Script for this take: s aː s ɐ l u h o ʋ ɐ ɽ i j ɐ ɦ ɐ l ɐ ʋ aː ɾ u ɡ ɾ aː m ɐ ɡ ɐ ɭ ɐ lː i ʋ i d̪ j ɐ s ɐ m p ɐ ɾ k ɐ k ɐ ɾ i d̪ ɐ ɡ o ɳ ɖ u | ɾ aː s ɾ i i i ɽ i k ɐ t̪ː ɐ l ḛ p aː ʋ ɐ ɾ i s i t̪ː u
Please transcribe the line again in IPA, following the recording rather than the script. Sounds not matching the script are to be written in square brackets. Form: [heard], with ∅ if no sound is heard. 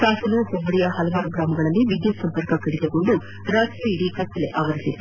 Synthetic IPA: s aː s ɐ l u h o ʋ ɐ ɽ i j ɐ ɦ ɐ l ɐ ʋ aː ɾ u ɡ ɾ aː m ɐ ɡ ɐ ɭ ɐ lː i ʋ i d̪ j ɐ s ɐ m p ɐ ɾ k ɐ k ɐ [ɽ] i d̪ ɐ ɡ o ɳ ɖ u | ɾ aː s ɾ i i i ɽ i k ɐ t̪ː ɐ l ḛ [ʔ] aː ʋ ɐ ɾ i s i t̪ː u